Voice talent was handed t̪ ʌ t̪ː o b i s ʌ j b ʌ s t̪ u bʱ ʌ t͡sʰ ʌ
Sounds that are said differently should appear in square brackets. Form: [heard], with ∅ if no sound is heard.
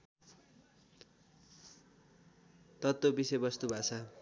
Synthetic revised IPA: t̪ ʌ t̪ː o b i s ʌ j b ʌ s t̪ u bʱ [a] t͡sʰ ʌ